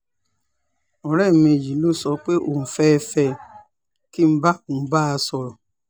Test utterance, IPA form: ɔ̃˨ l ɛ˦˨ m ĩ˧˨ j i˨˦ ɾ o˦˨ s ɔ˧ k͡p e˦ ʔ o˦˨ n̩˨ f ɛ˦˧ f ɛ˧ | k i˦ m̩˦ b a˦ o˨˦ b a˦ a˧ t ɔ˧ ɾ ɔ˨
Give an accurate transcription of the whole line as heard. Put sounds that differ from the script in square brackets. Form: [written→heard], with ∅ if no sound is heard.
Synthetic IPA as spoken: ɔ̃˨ [l→ɾ] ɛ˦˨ m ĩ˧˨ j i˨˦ [ɾ→l] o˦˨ s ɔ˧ k͡p e˦ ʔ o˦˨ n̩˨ f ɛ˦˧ f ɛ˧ | k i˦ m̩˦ b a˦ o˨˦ b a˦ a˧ [t→s] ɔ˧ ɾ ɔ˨

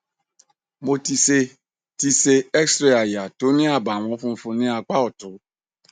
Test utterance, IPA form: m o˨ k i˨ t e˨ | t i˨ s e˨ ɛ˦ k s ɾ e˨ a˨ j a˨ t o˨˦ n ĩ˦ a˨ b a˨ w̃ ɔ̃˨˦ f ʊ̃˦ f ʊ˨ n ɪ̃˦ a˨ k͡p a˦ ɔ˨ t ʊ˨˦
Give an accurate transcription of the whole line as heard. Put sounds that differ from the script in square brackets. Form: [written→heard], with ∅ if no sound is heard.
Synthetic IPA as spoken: m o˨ [k→t] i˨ [t→s] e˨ | t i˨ s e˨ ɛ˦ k s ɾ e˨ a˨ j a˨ t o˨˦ n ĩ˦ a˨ b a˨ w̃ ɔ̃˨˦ f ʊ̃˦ f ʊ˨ n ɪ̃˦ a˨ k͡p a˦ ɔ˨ t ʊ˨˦

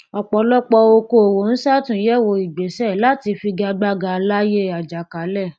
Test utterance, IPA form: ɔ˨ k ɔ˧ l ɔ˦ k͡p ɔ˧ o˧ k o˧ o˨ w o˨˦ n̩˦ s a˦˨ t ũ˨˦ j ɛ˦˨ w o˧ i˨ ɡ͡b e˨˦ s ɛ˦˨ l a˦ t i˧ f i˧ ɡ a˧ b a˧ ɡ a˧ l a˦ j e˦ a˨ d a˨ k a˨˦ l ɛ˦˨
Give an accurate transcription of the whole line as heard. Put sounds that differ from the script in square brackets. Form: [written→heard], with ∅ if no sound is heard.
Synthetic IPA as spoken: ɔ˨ [k→k͡p] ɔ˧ l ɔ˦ k͡p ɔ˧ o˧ k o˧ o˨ w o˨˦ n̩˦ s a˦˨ t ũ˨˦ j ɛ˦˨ w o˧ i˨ ɡ͡b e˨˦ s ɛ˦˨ l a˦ t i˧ f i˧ ɡ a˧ [b→ɡ͡b] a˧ ɡ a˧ l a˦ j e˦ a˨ [d→d͡ʒ] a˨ k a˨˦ l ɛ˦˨

